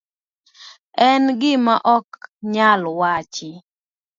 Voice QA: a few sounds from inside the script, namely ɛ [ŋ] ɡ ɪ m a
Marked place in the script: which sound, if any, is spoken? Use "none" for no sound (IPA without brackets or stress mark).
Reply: n